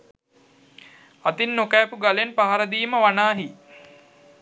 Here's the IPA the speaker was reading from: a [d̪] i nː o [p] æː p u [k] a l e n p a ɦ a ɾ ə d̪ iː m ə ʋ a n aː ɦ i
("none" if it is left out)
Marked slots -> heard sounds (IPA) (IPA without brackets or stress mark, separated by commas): t̪, k, ɡ